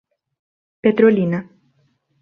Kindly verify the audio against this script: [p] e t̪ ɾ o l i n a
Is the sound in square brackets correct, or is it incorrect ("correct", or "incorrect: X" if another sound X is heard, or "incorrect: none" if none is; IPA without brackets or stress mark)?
correct